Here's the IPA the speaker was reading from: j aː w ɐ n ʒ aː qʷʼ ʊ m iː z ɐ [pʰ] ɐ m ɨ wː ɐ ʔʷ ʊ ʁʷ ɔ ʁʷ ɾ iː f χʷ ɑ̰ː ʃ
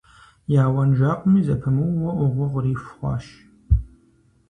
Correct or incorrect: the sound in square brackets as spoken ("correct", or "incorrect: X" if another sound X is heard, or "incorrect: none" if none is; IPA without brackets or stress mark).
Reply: correct